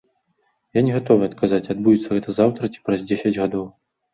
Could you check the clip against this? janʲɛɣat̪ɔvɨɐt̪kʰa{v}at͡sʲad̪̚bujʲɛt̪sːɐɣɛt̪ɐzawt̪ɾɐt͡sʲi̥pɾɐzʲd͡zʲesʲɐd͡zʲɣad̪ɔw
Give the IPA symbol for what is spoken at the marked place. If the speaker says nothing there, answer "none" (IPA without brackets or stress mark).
z